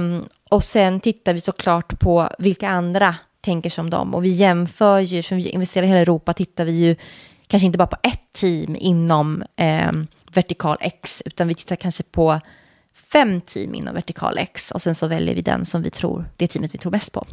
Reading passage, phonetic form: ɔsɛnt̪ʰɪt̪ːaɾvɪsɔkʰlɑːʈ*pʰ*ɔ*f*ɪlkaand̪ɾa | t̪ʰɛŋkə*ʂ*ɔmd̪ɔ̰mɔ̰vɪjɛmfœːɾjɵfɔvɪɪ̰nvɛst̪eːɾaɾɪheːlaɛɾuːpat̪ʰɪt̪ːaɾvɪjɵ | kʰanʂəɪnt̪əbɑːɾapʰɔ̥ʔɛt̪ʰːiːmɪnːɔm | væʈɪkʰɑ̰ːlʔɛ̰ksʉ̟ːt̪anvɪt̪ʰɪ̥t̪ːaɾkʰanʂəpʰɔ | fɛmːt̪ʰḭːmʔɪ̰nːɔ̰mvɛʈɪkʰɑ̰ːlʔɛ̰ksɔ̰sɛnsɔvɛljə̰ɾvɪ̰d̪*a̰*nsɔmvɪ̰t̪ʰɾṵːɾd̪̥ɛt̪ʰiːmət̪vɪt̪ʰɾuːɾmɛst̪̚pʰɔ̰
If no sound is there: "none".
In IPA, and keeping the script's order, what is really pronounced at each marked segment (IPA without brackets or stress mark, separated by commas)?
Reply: pʰ, v, ʂ, ɛ̰